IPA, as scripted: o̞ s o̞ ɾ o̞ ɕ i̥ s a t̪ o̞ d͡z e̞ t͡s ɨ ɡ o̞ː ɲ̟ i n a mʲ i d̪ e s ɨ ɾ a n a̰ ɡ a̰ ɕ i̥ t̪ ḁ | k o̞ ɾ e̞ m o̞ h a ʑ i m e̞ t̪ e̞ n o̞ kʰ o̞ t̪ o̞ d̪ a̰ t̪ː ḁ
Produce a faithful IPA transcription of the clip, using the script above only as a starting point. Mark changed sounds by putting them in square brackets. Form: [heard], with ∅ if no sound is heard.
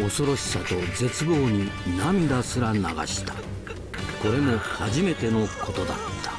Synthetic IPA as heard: o̞ s o̞ ɾ o̞ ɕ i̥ s a t̪ o̞ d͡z e̞ t͡s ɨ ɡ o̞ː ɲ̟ i n a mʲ i d̪ [a] s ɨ ɾ a n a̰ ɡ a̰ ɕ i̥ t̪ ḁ | k o̞ ɾ e̞ m o̞ h a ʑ i m e̞ t̪ e̞ n o̞ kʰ o̞ t̪ o̞ d̪ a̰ t̪ː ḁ